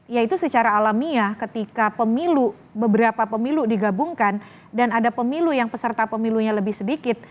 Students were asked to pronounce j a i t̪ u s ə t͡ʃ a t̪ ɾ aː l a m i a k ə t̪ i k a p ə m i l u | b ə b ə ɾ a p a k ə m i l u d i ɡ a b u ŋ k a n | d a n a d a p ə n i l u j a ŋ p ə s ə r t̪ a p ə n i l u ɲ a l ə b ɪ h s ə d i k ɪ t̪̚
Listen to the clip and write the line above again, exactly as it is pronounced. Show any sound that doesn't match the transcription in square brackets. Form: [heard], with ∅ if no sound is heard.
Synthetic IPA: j a i t̪ u s ə t͡ʃ a [∅] ɾ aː l a m i a k ə t̪ i k a p ə m i l u | b ə b ə ɾ a p a [p] ə m i l u d i ɡ a b u ŋ k a n | d a n a d a p ə [m] i l u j a ŋ p ə s ə r t̪ a p ə [m] i l u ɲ a l ə b ɪ h s ə d i k ɪ t̪̚